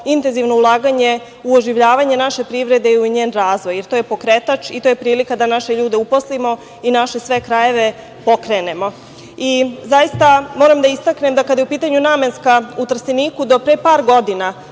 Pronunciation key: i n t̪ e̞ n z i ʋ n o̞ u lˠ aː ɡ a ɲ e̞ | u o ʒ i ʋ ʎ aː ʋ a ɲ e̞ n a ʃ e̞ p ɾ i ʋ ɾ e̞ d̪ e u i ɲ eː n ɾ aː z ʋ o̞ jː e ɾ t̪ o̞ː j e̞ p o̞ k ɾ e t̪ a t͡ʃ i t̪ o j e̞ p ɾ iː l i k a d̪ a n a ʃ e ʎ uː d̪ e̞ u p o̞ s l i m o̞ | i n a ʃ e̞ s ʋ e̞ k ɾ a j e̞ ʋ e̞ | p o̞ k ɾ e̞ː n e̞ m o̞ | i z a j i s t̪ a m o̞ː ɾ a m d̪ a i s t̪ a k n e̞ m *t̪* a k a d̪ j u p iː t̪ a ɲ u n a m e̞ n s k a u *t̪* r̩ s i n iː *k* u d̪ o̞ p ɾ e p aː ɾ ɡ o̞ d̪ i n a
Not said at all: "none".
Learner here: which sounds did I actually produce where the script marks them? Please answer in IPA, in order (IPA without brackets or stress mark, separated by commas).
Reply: d̪, t̪, k